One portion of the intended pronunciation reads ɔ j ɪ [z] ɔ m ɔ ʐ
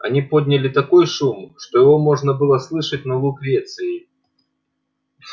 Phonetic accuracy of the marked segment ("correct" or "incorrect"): incorrect